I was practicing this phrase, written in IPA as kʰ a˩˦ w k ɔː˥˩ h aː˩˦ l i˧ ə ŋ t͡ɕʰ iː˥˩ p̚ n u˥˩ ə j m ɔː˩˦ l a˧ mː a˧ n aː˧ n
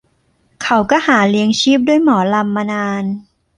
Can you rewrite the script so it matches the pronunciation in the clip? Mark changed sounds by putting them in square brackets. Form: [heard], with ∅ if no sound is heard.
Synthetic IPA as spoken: kʰ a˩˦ w k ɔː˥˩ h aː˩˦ l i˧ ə ŋ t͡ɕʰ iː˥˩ p̚ [d] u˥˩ ə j m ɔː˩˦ l a˧ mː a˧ n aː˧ n

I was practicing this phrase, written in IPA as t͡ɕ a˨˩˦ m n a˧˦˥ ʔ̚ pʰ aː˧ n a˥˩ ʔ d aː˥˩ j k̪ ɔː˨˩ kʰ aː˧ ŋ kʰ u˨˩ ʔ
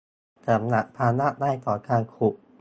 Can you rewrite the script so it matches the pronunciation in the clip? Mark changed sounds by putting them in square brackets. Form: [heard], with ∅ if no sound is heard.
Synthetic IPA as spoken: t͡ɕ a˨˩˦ m n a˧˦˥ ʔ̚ pʰ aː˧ n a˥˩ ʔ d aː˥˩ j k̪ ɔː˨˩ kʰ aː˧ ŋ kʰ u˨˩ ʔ

